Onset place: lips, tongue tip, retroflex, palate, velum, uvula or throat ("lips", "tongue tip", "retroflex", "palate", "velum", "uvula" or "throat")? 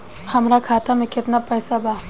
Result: throat